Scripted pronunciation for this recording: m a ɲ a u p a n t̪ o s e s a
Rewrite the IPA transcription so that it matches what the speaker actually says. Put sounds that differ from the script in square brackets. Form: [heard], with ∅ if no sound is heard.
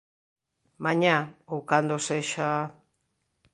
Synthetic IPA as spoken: m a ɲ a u [k] a n [d̪] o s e [ʃ] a